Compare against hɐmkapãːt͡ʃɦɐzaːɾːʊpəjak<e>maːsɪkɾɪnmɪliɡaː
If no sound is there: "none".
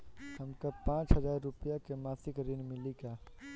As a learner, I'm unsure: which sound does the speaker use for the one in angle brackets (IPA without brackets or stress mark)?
e